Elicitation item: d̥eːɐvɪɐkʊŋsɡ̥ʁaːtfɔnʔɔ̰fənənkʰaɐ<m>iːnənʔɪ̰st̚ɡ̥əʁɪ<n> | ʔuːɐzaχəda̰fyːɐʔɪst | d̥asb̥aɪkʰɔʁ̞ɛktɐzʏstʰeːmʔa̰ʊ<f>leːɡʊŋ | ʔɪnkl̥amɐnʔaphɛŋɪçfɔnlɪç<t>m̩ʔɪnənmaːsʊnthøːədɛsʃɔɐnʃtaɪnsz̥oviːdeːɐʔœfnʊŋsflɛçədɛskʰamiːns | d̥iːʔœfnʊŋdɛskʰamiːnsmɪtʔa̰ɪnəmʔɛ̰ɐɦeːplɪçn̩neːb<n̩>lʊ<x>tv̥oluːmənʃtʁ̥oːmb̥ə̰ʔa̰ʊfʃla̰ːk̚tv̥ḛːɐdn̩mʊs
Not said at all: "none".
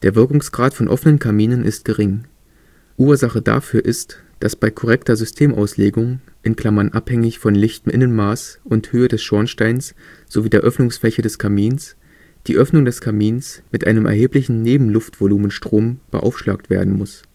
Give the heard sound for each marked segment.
m, ŋ, s, t, m̩, f

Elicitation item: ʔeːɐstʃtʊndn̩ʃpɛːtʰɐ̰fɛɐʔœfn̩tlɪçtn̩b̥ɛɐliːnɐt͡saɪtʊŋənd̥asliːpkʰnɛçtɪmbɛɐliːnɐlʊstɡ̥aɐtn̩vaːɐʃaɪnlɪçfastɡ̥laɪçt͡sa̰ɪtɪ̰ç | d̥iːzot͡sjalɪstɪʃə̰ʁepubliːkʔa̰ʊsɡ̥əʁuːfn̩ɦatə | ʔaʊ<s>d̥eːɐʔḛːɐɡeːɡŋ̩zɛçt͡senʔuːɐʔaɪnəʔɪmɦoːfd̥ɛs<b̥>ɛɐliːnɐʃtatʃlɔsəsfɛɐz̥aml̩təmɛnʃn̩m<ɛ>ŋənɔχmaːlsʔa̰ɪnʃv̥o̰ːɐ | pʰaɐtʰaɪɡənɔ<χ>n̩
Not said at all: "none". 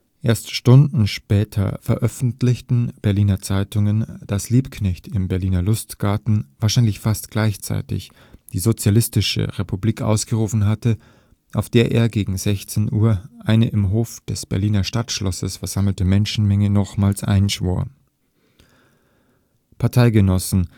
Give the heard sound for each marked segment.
f, b̥, ɛ, s

